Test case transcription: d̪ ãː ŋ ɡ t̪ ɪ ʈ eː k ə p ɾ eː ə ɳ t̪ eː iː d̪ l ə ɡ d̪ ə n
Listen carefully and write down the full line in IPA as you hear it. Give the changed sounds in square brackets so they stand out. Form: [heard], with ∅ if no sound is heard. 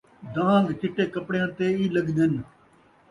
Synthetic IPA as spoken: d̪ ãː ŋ ɡ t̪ ɪ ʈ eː k ə p [ɽ] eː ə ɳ t̪ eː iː [∅] l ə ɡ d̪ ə n